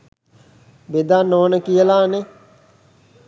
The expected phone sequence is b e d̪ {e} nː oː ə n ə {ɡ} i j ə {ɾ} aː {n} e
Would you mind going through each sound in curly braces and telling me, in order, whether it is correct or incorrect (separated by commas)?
incorrect, incorrect, incorrect, correct